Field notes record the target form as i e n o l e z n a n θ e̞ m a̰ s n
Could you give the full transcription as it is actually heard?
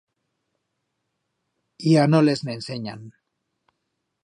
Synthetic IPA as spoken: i a n o l e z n e n s e̞ ɲ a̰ n